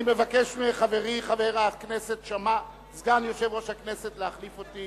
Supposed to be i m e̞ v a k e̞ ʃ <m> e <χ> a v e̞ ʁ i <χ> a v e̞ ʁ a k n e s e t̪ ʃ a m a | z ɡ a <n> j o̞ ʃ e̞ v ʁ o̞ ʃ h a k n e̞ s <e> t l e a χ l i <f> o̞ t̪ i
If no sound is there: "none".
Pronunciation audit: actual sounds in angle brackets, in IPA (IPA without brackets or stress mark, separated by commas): m, χ, χ, n, e, f